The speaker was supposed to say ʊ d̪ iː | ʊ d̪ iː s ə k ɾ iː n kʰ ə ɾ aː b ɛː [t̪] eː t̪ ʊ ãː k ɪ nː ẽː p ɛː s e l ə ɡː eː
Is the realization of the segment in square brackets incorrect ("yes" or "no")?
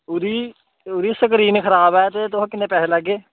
no